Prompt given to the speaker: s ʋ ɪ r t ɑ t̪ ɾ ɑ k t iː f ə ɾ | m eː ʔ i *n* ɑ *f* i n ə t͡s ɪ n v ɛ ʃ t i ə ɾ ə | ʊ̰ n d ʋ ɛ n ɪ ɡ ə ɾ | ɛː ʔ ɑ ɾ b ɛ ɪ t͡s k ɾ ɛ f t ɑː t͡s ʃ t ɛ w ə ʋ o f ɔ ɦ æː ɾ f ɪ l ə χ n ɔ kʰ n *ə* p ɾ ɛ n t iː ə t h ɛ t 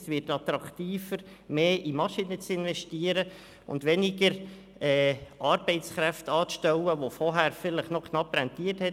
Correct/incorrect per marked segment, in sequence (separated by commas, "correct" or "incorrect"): incorrect, incorrect, incorrect